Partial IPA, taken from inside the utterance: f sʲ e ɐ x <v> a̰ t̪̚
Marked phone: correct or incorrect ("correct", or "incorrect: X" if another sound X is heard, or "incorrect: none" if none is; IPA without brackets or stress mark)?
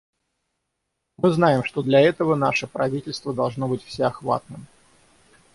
correct